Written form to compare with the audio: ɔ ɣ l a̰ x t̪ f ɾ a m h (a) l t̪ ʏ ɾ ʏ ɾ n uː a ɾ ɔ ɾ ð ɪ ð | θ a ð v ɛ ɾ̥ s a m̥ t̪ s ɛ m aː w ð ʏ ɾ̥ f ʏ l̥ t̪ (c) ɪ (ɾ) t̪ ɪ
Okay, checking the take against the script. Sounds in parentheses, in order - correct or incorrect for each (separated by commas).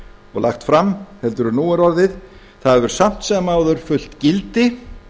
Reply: incorrect, correct, incorrect